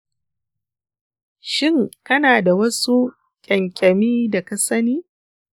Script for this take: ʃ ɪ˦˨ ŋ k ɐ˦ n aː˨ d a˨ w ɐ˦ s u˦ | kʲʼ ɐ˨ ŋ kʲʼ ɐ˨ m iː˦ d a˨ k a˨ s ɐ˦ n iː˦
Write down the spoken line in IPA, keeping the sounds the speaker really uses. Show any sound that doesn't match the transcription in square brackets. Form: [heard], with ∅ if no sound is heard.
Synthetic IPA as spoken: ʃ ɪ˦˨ ŋ k ɐ˦ n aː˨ d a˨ w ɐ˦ s u˦ | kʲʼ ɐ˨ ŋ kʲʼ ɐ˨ m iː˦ d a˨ k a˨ s ɐ˦ n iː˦